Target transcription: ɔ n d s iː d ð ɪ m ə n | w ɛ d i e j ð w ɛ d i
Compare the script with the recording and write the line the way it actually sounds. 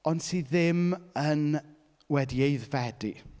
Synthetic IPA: ɔ n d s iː ð ɪ m ə n | w ɛ d i e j ð v ɛ d i

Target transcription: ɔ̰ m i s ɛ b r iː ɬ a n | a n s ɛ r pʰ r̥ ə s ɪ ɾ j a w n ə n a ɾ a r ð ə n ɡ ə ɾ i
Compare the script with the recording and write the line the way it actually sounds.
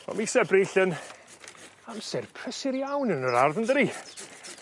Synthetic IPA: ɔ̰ m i s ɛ b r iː ɬ ə n | a m s ɛ r pʰ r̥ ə s ɪ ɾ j a w n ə n ə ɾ a r ð ə n d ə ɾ i

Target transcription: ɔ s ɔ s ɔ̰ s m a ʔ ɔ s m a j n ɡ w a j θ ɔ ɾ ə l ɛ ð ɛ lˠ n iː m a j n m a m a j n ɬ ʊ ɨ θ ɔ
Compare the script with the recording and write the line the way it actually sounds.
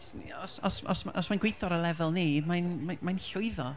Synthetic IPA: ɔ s ɔ s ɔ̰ s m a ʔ ɔ s m a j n ɡ w e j θ ɔ ɾ ə l ɛ v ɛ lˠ n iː m a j n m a m a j n ɬ ʊ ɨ ð ɔ

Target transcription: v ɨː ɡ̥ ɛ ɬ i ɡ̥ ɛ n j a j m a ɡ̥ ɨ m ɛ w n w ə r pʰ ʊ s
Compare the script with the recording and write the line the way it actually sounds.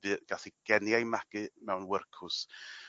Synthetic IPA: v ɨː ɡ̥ a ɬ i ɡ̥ ɛ n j a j m a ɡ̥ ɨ m ɛ w n w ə r kʰ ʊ s

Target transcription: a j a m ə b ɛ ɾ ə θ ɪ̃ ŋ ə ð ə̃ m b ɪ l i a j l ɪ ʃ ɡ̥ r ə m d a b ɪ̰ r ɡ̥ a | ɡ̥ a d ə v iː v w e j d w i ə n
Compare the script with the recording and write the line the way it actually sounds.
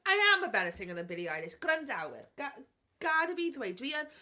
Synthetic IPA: a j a m ə b ɛ ɾ ə θ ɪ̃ ŋ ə ð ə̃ n b ɪ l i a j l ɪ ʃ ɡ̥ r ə n d a w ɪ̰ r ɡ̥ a | ɡ̥ a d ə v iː ð w e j d w i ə n

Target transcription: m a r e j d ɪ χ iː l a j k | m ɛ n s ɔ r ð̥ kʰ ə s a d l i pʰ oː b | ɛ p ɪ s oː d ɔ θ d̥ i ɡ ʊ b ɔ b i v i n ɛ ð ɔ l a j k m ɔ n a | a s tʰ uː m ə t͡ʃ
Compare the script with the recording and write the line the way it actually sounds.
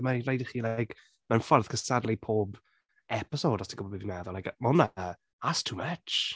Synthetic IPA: m a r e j d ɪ χ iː l a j k | m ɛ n f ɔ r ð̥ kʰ ə s a d l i pʰ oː b | ɛ p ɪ s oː d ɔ s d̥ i ɡ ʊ b ɔ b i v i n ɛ ð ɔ l a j k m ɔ n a | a s tʰ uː m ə t͡ʃ

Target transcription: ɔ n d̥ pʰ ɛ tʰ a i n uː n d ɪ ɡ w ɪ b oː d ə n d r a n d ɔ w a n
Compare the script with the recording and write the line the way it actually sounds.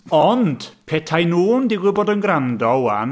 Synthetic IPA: ɔ n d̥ pʰ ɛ tʰ a j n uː n d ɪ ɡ w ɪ b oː d ə n ɡ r a n d ɔ w a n

